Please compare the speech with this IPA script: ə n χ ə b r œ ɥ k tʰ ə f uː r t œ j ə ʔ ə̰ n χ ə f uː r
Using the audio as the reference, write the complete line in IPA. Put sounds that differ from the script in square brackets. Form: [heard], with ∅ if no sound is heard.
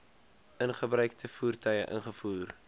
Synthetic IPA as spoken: ə n χ ə b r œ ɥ k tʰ ə f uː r t œ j ə ʔ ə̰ n χ ə f uː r